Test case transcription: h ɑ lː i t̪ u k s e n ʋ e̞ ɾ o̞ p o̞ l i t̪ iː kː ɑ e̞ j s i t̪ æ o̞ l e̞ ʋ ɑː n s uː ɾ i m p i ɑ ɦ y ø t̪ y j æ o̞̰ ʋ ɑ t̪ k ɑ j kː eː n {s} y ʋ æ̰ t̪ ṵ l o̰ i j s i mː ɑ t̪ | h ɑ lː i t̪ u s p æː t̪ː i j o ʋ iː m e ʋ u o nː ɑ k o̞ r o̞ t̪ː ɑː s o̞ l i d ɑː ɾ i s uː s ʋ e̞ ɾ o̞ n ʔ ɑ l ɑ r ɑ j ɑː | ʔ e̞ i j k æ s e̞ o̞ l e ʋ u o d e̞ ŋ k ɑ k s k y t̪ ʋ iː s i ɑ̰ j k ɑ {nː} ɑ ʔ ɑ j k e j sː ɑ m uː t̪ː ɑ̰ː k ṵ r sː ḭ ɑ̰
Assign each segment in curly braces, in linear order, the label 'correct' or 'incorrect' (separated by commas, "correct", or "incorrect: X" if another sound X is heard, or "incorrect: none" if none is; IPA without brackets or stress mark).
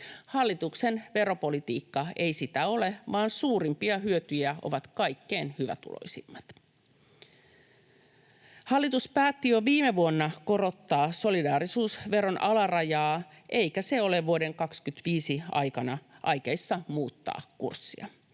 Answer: incorrect: h, incorrect: n